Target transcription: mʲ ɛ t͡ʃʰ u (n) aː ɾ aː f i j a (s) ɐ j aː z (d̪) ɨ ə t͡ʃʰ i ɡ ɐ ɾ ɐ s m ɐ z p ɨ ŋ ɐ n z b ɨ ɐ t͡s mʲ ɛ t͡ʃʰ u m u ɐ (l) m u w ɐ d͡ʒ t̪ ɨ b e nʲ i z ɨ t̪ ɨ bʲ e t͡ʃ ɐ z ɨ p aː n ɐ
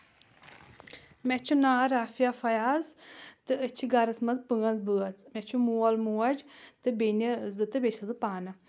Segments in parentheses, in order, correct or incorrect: correct, incorrect, incorrect, correct

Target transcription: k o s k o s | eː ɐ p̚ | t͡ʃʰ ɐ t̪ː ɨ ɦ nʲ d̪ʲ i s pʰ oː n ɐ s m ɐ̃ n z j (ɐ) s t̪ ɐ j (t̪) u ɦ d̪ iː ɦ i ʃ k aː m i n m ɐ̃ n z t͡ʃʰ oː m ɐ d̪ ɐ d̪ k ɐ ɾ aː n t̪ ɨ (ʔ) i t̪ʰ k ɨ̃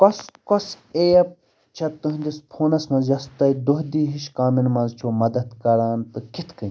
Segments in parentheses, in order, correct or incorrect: correct, incorrect, incorrect

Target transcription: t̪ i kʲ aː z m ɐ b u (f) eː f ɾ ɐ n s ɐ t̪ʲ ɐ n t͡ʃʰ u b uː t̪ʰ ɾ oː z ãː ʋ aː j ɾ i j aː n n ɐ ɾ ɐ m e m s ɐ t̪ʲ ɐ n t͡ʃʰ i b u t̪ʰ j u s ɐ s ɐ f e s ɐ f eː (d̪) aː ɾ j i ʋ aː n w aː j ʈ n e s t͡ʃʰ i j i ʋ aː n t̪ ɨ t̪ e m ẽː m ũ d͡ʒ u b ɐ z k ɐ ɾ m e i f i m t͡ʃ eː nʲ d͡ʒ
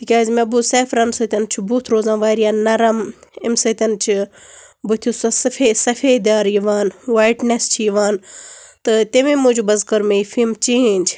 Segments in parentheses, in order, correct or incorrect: incorrect, correct

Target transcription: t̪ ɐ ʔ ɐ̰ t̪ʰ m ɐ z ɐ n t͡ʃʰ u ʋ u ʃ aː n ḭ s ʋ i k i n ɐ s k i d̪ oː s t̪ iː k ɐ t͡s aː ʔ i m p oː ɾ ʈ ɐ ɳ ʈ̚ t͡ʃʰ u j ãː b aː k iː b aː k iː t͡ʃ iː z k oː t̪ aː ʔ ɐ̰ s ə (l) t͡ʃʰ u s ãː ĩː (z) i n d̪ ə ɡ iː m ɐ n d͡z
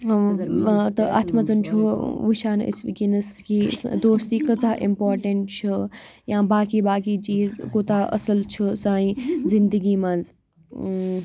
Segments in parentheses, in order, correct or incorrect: correct, correct

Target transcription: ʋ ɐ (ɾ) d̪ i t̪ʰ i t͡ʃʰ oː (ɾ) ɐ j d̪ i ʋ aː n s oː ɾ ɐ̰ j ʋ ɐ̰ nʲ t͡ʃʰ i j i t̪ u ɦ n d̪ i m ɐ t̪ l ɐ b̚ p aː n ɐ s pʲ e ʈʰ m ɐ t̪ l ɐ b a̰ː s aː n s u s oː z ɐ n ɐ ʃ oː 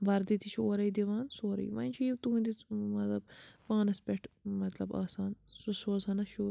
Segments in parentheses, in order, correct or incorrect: correct, correct

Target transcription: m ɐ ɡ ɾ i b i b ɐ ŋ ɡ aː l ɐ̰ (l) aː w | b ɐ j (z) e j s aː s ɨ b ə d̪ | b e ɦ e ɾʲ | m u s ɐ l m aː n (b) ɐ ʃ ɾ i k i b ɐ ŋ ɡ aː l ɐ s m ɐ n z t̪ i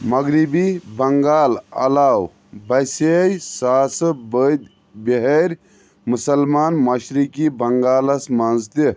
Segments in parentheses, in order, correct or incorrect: correct, incorrect, incorrect

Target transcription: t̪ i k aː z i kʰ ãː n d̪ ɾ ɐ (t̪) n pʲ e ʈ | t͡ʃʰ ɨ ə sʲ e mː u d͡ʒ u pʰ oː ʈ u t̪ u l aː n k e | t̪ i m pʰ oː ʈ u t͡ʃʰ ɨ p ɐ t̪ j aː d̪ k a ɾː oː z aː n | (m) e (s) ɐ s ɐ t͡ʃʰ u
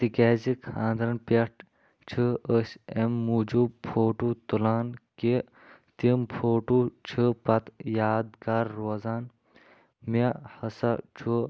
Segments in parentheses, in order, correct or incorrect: incorrect, correct, incorrect

